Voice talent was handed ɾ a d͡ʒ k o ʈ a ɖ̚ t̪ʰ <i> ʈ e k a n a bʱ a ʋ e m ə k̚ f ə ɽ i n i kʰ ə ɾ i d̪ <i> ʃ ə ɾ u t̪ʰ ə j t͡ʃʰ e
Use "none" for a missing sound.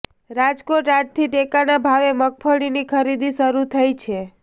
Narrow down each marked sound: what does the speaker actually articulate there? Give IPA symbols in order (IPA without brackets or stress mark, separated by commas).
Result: i, i